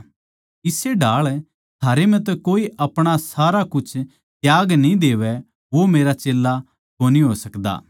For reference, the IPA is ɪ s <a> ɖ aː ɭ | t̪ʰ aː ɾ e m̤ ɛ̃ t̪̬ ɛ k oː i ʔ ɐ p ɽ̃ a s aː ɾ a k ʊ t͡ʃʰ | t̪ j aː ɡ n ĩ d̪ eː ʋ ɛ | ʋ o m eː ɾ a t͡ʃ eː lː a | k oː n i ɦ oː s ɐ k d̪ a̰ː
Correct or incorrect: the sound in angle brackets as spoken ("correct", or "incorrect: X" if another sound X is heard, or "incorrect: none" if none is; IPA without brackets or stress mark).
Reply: incorrect: e